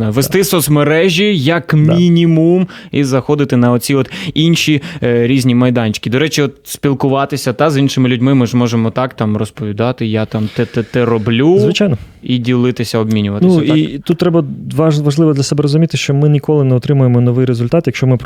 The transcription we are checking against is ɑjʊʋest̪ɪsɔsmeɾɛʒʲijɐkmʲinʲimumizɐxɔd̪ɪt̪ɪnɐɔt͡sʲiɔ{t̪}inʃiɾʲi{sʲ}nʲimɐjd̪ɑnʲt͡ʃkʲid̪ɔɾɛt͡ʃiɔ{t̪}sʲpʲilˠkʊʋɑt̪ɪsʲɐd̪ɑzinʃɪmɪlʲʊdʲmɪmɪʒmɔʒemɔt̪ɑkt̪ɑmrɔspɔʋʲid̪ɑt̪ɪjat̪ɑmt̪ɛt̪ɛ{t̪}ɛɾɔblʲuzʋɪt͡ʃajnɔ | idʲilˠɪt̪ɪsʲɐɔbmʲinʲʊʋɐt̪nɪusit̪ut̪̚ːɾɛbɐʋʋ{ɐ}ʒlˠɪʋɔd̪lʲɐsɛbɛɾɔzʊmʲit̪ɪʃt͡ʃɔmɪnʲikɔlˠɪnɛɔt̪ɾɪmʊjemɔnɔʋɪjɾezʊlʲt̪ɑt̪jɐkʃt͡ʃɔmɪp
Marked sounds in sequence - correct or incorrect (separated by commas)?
correct, incorrect, correct, correct, correct